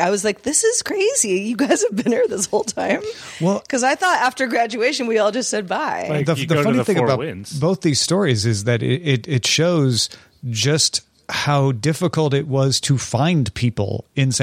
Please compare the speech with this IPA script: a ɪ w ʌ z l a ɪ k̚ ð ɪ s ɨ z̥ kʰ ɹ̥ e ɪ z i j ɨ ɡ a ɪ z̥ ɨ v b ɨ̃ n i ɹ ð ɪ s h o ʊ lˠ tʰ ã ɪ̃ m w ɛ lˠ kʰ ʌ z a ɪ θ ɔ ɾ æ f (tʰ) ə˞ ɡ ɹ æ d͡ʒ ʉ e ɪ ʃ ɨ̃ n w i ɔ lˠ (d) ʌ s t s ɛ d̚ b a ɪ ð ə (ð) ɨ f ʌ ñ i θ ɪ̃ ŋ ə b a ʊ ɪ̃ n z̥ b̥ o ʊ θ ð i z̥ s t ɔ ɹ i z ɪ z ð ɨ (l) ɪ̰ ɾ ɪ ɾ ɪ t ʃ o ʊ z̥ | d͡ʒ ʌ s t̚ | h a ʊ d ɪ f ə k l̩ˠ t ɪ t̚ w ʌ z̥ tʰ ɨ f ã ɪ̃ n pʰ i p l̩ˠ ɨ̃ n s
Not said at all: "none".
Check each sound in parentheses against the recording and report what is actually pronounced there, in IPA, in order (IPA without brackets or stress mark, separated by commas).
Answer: t, d͡ʒ, ð, ɾ